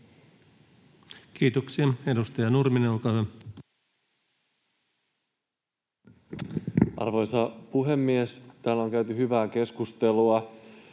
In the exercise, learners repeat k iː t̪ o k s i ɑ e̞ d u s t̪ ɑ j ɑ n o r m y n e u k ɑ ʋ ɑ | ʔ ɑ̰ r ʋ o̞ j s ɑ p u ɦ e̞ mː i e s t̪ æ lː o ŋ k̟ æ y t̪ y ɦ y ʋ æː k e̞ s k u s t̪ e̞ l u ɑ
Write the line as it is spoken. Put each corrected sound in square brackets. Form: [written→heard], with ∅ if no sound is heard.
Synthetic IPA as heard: k iː t̪ o k s i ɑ e̞ d u s t̪ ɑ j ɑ n [o→u] r m [y→i] n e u k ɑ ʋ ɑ | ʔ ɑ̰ r ʋ o̞ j s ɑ p u ɦ e̞ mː i e s t̪ [æ→æː] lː o ŋ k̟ æ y t̪ y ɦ y ʋ æː k e̞ s k u s t̪ e̞ l u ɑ

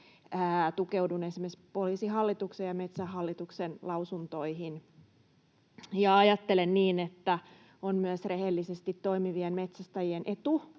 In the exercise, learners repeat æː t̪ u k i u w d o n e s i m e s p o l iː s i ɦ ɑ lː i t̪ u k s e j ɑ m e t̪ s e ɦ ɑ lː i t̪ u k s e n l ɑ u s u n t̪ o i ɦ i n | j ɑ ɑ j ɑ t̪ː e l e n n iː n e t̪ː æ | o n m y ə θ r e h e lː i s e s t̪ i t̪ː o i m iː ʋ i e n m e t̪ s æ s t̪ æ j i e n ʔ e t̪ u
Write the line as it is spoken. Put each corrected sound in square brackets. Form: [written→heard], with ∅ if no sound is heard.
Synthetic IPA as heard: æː t̪ u k [i→e] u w d [o→u] n e s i m e s p o l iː s i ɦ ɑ lː i t̪ u k s e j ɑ m e t̪ s [e→æ] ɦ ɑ lː i t̪ u k s e n l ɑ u s u n t̪ o i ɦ i n | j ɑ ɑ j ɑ t̪ː e l e n n iː n e t̪ː æ | o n m y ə [θ→s] r e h e lː i s e s t̪ i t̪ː o i m [iː→i] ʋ i e n m e t̪ s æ s t̪ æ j i e n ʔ e t̪ u

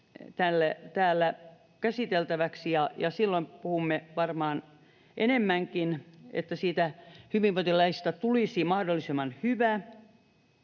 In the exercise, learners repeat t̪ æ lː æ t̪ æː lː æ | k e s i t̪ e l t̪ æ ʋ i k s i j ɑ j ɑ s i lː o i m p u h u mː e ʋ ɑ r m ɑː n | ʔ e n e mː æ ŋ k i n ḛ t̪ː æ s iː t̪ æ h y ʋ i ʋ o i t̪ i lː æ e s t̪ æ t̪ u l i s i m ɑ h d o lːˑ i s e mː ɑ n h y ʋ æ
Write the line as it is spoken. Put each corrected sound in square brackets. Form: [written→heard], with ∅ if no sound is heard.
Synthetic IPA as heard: t̪ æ lː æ t̪ æː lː æ | k [e→æ] s i t̪ e l t̪ æ ʋ [i→æ] k s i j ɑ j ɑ s i lː o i m p u h u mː e ʋ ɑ r m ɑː n | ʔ e n e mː æ ŋ k i n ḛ t̪ː æ s iː t̪ æ h y ʋ i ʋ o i t̪ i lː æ [e→i] s t̪ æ t̪ u l i s i m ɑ h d o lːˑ i s e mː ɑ n h y ʋ æ

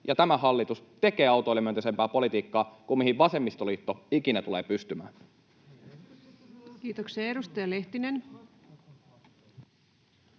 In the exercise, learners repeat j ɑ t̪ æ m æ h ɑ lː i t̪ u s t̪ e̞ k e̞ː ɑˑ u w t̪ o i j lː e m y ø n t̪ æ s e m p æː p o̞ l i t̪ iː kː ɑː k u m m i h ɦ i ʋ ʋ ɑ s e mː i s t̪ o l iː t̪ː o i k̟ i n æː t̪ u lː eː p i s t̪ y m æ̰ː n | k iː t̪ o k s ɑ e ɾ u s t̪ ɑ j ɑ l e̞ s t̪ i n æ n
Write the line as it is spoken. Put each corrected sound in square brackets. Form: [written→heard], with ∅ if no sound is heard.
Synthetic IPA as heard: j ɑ t̪ æ m æ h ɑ lː i t̪ u s t̪ e̞ k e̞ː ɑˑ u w t̪ o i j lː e m y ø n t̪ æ s e m p æː p o̞ l i t̪ iː kː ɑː k u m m i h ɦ i ʋ ʋ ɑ s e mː i s t̪ o l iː t̪ː o i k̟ i n [æː→æ] t̪ u [lː→l] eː p [i→y] s t̪ y m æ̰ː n | k iː t̪ o k s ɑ e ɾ u s t̪ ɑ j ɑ l e̞ [s→h] t̪ i n [æ→e] n

